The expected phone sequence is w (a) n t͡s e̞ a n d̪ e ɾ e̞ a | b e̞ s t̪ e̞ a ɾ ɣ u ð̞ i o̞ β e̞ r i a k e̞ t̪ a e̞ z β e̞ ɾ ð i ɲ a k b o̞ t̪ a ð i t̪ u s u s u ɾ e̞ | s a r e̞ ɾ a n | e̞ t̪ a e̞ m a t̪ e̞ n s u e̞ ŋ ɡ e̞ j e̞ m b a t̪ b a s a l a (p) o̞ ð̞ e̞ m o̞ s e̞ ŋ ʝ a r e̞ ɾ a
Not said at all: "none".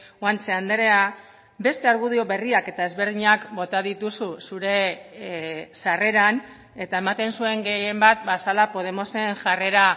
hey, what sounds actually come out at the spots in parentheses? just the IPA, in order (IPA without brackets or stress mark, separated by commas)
a, p